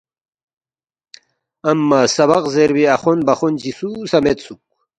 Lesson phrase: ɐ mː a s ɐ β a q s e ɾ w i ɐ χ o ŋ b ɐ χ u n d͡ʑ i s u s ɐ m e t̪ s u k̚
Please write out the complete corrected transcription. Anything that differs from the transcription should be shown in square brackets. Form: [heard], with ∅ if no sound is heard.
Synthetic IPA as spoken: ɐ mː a s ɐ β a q [z] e ɾ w i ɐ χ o [n] b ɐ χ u n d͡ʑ i s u s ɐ m e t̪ s u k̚